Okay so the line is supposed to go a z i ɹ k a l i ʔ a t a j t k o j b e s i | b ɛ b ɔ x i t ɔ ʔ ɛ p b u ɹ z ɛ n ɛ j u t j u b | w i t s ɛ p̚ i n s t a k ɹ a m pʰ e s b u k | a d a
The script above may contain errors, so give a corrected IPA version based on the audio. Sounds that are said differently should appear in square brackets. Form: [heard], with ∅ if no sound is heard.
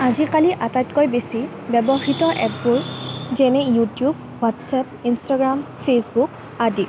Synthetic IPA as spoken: a z i [∅] k a l i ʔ a t a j t k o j b e s i | b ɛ b ɔ x i t ɔ ʔ ɛ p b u ɹ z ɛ n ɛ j u t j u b | w [a] t s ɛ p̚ i n s t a [ɡ] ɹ a m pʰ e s b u k | a d [i]